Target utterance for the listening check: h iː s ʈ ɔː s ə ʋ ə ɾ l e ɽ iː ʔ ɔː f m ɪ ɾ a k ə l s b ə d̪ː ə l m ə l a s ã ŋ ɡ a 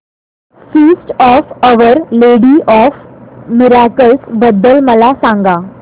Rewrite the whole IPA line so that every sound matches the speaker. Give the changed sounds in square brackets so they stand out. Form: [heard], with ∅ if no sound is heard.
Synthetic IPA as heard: [f] iː s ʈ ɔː [f] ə ʋ ə ɾ l e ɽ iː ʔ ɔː f m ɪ ɾ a k ə l s b ə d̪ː ə l m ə l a s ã ŋ ɡ a